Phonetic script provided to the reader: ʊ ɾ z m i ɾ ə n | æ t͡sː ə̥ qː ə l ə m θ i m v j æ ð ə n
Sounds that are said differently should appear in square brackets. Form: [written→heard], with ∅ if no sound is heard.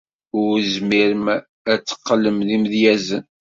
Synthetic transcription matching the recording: ʊ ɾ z m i ɾ ə [n→m] | æ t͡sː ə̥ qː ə l ə m [θ→ð] i m [v→ð] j æ [ð→z] ə n